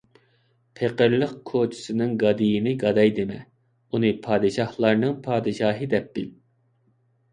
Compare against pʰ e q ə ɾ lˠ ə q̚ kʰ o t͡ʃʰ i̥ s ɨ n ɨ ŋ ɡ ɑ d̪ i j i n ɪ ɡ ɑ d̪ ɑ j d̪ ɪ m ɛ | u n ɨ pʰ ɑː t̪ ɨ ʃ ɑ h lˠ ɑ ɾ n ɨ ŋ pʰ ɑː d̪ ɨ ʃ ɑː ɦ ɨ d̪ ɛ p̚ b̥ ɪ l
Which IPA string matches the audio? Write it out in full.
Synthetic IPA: pʰ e q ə ɾ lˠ ə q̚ kʰ o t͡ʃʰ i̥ s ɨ n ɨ ŋ ɡ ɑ d̪ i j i n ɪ ɡ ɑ d̪ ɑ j d̪ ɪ m ɛ | u n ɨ pʰ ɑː d̪ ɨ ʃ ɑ h lˠ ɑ ɾ n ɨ ŋ pʰ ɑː d̪ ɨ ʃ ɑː ɦ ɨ d̪ ɛ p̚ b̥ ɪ l